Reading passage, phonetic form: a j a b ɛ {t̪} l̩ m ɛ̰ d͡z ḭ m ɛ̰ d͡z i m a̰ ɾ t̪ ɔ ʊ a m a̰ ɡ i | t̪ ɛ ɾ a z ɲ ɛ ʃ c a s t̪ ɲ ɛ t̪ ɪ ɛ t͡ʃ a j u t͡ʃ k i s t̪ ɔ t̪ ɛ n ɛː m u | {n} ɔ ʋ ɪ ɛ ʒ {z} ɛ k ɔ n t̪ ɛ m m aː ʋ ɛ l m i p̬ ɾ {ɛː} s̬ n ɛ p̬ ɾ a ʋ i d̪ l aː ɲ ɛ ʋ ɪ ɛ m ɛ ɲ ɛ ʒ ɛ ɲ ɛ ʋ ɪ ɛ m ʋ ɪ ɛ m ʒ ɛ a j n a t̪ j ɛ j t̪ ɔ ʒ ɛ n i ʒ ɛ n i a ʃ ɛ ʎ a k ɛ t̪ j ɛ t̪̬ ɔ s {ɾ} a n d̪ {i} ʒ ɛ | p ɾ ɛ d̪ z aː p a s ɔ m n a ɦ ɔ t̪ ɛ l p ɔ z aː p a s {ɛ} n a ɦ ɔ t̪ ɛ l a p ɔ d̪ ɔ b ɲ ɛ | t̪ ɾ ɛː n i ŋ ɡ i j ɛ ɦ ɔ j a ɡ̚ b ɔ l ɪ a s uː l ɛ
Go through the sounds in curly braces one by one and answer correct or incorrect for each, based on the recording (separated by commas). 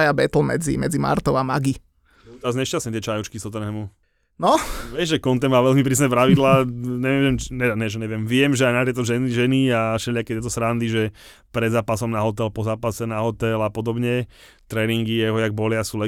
correct, correct, incorrect, incorrect, correct, correct, correct